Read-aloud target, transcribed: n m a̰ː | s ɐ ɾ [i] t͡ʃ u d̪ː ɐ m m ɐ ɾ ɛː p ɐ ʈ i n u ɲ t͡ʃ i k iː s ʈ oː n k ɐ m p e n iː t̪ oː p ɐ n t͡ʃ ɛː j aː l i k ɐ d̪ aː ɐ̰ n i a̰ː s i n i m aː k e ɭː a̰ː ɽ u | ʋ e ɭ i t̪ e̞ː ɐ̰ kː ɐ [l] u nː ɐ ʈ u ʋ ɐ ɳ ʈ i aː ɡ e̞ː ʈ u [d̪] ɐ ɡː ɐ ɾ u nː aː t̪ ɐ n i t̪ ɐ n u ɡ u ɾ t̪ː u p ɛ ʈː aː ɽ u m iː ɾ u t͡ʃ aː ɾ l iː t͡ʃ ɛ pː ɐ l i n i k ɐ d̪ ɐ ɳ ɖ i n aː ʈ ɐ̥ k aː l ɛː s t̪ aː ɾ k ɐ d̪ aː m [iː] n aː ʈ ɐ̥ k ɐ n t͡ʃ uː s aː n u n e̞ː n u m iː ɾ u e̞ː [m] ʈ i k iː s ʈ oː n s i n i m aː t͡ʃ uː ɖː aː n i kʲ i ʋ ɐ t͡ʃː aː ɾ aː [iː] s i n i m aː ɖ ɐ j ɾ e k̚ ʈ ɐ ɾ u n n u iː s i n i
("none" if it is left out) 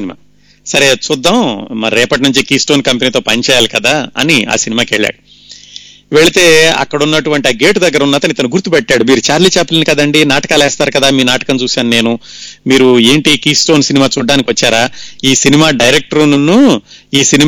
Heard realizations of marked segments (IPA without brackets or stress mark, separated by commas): e, ɽ, d̪, iː, ɳ, iː